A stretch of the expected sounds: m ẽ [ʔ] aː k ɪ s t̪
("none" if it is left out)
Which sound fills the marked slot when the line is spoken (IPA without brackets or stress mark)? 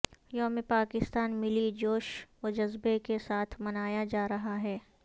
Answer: p